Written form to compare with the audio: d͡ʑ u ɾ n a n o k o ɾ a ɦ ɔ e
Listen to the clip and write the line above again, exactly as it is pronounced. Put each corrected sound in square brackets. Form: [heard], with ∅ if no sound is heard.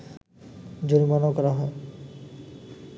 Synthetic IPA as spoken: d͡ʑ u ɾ [m] a n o k [ɔ] ɾ a ɦ ɔ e